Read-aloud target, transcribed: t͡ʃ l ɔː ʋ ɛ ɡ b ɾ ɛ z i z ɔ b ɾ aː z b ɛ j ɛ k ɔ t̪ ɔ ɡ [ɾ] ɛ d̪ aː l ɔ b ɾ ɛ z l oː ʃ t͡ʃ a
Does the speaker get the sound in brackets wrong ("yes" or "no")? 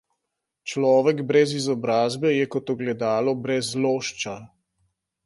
yes